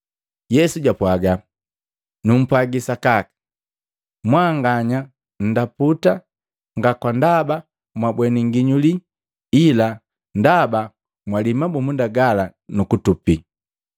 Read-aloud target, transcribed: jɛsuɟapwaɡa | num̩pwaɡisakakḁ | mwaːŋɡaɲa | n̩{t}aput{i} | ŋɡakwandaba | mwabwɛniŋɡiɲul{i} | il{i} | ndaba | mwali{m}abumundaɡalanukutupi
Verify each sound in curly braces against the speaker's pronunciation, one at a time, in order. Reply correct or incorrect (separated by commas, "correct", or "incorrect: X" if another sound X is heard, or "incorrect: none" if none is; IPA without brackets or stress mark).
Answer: incorrect: d, incorrect: a, correct, incorrect: a, correct